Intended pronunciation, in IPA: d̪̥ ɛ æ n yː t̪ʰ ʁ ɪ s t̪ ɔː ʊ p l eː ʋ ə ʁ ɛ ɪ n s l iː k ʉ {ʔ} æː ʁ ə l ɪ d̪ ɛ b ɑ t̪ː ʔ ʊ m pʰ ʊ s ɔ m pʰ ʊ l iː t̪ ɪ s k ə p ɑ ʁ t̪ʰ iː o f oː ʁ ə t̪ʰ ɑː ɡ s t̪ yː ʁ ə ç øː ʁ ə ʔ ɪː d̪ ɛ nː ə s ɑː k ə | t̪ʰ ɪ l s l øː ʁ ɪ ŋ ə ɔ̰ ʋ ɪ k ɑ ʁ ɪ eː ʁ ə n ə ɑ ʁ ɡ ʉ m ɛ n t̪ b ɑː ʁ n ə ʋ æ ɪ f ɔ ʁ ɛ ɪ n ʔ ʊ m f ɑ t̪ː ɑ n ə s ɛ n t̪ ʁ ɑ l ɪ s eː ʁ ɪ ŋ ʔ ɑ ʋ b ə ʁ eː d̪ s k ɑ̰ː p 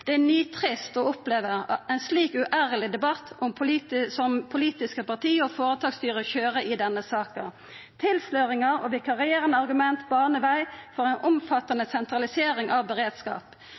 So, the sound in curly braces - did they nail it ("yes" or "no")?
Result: yes